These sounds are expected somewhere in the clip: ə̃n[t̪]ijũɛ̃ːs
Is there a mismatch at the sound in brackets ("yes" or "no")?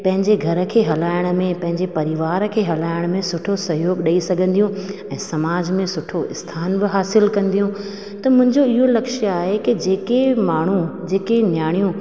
yes